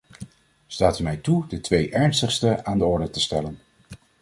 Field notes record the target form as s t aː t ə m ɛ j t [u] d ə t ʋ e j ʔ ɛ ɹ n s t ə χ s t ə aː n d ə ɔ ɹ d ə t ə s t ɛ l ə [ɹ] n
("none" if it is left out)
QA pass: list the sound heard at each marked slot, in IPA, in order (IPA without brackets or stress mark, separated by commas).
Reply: u, none